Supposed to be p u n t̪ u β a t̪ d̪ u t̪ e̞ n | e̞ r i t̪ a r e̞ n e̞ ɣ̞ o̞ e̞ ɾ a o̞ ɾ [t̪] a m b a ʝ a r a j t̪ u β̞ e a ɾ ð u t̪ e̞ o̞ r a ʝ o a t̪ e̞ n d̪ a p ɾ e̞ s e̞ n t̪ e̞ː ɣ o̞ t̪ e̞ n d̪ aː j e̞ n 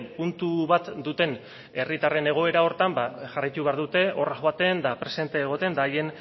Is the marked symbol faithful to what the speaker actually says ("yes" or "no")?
yes